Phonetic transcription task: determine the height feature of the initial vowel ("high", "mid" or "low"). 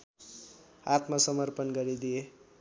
low